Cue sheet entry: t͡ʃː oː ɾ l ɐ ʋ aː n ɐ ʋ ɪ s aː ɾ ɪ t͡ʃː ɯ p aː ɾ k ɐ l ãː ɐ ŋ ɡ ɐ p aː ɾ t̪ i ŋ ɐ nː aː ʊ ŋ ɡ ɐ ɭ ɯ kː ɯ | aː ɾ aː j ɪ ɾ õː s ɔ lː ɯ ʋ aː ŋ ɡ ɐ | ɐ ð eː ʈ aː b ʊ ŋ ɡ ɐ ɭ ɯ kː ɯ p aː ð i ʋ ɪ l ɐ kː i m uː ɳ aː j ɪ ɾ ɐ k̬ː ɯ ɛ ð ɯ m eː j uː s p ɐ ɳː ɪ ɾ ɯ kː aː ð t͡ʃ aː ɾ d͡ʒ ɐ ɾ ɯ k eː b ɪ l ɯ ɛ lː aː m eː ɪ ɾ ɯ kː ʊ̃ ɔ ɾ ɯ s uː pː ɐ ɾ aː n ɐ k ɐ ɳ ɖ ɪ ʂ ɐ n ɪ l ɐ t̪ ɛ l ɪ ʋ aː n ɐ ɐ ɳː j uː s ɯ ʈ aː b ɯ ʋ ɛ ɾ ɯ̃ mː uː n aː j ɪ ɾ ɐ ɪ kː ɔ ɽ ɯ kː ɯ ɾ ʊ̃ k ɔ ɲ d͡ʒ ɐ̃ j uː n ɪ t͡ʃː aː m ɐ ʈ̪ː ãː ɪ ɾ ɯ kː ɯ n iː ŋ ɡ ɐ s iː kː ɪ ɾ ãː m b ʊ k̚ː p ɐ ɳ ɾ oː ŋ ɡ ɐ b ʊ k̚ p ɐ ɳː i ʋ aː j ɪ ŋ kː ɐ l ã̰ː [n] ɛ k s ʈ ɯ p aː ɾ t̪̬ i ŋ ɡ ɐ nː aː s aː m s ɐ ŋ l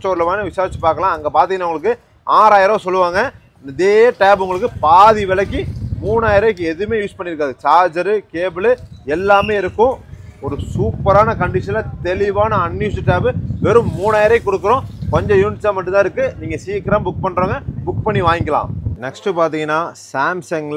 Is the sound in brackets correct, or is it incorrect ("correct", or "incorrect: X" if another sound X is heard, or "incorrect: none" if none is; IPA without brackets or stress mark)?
correct